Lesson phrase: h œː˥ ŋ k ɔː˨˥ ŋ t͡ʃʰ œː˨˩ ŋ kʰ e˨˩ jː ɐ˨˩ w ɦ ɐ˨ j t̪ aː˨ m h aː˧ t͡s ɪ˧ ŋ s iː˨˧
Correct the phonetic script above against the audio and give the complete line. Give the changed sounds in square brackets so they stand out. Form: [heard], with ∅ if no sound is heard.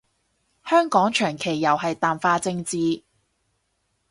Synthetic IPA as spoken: h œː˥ ŋ k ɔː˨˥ ŋ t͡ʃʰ œː˨˩ ŋ kʰ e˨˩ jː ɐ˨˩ w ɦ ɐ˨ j t̪ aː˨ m [f] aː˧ t͡s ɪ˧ ŋ [t͡s] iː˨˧

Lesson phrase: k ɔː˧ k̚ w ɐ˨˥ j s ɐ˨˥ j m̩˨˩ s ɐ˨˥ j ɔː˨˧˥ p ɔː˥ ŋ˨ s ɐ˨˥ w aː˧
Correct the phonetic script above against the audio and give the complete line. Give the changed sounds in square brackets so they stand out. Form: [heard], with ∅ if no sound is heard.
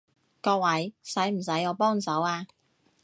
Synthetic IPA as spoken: k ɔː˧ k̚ w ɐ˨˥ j s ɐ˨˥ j m̩˨˩ s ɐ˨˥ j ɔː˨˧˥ p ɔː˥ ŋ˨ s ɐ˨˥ w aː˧

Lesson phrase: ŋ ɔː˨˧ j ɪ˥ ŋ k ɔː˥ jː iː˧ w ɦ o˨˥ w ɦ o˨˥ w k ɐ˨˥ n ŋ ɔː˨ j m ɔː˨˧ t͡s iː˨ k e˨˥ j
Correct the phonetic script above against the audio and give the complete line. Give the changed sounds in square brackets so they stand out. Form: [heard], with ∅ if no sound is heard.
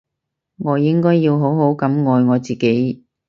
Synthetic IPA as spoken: ŋ ɔː˨˧ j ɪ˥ ŋ k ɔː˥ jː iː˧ w ɦ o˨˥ w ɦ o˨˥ w k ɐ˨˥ [m] ŋ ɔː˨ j [ŋ] ɔː˨˧ t͡s iː˨ k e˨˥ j

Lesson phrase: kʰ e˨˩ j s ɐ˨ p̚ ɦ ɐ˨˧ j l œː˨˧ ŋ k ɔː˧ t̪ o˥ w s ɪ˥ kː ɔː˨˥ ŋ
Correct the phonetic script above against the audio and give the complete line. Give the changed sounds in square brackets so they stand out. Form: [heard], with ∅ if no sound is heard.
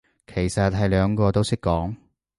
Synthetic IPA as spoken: kʰ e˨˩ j s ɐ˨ [t̚] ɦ ɐ˨˧ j l œː˨˧ ŋ k ɔː˧ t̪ o˥ w s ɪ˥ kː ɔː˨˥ ŋ

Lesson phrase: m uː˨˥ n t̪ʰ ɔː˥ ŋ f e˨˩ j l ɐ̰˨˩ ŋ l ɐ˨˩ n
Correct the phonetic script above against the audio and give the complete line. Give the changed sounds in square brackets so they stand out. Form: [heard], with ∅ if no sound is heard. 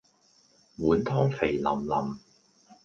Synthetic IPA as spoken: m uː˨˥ n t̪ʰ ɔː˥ ŋ f e˨˩ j l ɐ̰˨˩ [m] l ɐ˨˩ [m]

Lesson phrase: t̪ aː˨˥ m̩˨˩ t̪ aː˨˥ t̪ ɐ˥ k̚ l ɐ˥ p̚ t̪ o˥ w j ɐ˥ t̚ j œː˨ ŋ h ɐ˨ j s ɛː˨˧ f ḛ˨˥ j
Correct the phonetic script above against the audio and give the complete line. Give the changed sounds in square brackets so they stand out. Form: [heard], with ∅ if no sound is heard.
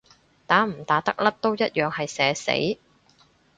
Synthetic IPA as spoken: t̪ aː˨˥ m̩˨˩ t̪ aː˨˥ t̪ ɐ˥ k̚ l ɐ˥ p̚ t̪ o˥ w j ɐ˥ t̚ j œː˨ ŋ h ɐ˨ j s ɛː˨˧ [s] ḛ˨˥ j

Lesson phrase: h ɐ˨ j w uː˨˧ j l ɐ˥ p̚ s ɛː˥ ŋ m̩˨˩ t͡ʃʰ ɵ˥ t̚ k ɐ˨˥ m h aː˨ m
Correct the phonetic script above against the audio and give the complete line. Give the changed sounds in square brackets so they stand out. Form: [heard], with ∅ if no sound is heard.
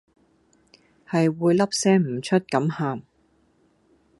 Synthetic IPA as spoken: h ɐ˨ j w uː˨˧ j l ɐ˥ p̚ s ɛː˥ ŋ m̩˨˩ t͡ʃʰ ɵ˥ t̚ k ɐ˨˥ m h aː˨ m

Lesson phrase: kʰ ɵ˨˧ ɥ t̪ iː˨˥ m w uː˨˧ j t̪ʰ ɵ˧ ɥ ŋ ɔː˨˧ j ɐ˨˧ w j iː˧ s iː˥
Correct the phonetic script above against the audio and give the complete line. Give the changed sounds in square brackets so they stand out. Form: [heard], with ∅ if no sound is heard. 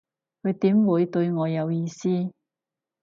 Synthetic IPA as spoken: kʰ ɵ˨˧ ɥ t̪ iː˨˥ m w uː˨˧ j [t̪] ɵ˧ ɥ ŋ ɔː˨˧ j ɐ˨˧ w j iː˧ s iː˥

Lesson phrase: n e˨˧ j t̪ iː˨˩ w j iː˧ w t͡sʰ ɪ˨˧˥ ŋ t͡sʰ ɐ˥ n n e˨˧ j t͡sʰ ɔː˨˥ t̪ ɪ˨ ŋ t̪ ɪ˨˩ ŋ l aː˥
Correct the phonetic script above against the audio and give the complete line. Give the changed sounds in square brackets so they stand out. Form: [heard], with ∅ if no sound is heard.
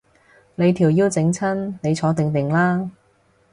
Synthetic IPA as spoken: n e˨˧ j [t̪ʰ] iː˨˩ w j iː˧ w [t͡s] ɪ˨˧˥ ŋ t͡sʰ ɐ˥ n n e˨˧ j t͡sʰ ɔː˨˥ t̪ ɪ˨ ŋ t̪ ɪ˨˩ ŋ l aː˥

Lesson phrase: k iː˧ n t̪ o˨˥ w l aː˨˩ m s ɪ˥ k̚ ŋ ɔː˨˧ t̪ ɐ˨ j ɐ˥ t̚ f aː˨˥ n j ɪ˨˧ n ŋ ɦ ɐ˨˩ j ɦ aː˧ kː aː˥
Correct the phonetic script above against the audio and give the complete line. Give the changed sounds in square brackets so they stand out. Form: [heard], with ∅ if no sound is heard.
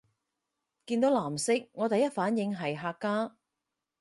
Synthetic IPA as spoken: k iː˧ n t̪ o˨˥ w l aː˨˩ m s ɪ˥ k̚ ŋ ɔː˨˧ t̪ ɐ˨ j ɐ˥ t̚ f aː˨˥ n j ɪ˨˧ [∅] ŋ ɦ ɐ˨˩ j ɦ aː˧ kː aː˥

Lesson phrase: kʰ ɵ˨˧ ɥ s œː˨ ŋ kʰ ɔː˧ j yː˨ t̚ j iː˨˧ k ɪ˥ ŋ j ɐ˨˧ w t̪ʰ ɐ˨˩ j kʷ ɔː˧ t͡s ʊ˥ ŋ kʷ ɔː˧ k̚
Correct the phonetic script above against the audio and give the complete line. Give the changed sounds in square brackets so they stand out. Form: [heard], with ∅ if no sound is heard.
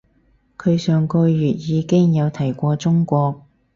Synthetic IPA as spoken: kʰ ɵ˨˧ ɥ s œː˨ ŋ [k] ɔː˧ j yː˨ t̚ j iː˨˧ k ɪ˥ ŋ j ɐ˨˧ w t̪ʰ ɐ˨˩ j kʷ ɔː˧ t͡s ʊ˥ ŋ kʷ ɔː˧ k̚

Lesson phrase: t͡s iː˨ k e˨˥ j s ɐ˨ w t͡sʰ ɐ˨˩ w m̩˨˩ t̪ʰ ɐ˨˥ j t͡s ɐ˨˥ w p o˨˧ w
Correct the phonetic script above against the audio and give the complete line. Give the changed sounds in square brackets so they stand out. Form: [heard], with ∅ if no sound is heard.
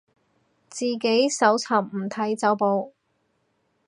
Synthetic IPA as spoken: t͡s iː˨ k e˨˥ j s [ɐ˨˥] w t͡sʰ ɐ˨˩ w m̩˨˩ t̪ʰ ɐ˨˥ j t͡s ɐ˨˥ w p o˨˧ w

